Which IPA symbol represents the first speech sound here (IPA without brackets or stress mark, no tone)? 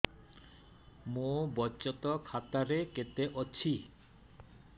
m